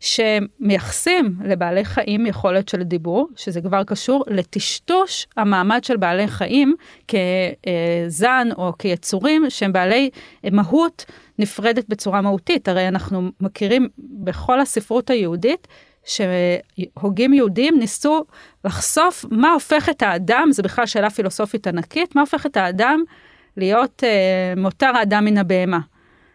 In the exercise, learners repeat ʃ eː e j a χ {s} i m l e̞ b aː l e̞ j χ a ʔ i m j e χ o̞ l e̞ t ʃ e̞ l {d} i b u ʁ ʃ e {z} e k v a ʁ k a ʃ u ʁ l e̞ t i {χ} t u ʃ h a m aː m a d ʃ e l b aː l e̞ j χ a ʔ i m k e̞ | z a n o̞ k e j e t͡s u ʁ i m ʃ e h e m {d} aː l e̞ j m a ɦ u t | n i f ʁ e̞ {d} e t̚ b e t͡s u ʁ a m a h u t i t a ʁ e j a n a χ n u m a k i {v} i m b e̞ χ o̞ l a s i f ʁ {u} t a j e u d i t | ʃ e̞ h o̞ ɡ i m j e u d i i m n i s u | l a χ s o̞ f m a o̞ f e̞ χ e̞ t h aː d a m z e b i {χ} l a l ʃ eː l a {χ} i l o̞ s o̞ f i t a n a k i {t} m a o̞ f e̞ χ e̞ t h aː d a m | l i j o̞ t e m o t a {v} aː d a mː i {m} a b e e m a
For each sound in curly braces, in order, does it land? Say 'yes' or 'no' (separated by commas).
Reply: yes, yes, yes, no, no, yes, no, yes, yes, no, yes, no, no